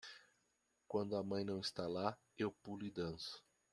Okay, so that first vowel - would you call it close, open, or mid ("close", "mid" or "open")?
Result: open